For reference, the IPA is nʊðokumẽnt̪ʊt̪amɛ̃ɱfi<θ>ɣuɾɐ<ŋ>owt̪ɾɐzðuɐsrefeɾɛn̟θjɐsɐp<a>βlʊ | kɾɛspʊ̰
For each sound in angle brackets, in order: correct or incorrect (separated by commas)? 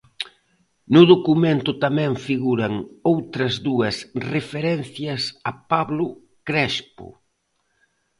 incorrect, correct, correct